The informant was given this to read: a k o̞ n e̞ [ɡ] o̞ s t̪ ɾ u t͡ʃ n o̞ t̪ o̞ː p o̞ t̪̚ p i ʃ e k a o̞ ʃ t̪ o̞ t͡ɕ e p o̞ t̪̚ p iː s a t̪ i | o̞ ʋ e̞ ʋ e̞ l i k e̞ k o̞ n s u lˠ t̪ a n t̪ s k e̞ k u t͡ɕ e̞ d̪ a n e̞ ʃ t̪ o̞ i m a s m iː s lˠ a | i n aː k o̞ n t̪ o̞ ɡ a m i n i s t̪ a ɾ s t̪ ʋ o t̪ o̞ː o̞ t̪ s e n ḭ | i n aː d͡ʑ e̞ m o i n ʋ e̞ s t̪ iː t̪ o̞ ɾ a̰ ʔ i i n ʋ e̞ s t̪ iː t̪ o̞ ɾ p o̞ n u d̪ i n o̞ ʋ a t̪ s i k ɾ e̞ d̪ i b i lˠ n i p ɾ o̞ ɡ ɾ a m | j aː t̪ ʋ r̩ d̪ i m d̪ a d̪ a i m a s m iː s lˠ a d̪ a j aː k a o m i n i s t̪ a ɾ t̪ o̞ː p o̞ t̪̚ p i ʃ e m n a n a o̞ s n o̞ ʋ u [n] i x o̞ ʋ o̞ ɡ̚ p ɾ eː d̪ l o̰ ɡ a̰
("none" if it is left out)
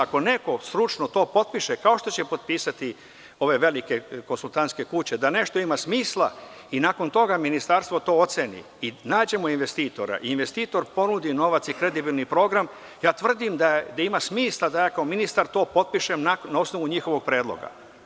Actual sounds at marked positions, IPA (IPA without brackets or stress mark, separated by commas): k, ɲ